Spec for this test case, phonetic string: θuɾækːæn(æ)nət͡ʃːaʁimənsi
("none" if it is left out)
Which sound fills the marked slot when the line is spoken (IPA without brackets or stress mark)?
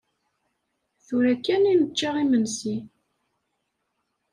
i